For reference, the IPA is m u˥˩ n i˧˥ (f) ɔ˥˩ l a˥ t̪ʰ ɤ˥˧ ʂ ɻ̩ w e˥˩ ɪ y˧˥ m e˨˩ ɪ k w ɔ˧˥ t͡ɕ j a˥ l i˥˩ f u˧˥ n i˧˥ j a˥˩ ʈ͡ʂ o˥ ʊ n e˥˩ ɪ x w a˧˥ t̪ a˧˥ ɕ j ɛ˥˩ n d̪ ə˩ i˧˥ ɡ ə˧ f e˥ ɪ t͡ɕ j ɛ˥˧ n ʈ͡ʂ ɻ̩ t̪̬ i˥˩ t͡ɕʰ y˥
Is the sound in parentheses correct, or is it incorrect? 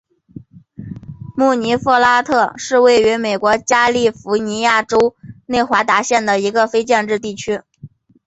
correct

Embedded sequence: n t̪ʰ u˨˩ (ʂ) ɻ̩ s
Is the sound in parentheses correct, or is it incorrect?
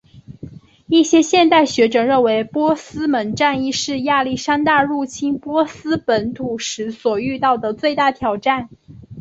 correct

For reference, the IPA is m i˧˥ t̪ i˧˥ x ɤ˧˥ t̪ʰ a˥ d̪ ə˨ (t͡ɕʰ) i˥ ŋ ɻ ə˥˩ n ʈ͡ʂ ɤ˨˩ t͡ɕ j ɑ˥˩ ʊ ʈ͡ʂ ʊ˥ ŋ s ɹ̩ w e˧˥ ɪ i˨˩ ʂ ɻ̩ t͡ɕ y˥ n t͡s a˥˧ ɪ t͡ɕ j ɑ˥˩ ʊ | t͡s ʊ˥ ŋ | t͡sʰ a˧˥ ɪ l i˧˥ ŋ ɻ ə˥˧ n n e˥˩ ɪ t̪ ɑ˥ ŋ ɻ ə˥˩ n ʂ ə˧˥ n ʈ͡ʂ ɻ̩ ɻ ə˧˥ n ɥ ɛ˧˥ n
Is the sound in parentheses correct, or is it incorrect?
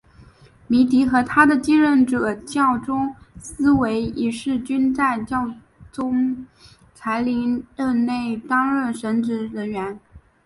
incorrect: t͡ɕ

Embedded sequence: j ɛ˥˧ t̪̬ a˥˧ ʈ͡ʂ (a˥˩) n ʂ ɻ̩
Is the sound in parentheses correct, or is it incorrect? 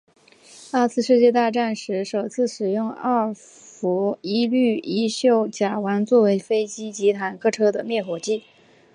correct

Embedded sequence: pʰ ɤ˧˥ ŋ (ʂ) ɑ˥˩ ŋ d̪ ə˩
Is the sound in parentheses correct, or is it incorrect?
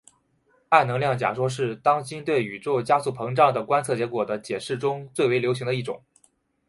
incorrect: ʈ͡ʂ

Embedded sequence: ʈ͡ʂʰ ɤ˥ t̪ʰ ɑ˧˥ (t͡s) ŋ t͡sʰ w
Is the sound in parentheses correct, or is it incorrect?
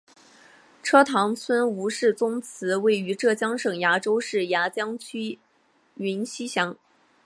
incorrect: none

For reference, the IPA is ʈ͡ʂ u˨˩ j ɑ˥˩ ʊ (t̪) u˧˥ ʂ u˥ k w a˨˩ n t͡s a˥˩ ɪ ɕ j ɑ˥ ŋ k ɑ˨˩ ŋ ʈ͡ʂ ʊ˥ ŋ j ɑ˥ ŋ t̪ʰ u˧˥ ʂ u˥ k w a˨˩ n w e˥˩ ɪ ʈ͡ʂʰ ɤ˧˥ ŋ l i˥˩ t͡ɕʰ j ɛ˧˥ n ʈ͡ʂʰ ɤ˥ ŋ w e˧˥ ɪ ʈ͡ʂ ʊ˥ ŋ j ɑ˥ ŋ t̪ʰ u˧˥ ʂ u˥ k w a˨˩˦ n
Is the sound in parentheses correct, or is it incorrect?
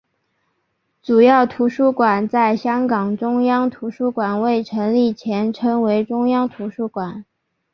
incorrect: t̪ʰ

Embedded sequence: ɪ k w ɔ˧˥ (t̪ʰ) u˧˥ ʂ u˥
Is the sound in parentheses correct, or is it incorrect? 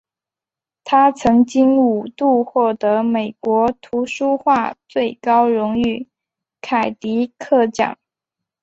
correct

